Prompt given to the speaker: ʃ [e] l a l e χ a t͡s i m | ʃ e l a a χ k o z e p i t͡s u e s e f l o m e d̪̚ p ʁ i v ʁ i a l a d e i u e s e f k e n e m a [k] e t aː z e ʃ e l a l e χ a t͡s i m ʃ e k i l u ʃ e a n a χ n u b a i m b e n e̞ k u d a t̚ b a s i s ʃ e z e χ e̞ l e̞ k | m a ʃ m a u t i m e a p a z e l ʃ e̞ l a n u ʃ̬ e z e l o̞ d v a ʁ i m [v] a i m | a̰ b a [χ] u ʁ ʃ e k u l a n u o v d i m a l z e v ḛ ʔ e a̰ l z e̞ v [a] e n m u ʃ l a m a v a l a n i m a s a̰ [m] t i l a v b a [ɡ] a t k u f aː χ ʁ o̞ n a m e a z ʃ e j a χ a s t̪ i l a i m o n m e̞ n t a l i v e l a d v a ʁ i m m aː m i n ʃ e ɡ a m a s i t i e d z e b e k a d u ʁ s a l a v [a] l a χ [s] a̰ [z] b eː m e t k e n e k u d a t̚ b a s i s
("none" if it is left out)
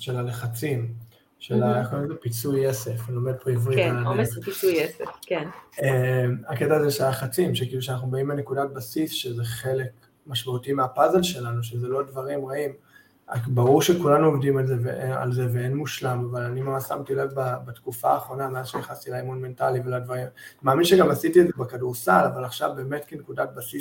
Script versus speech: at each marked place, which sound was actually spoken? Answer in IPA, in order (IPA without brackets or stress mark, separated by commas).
e, k, ʁ, ʁ, e, m, b, a, ʃ, v